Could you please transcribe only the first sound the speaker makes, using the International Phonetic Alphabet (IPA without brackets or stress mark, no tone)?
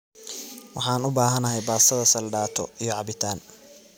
w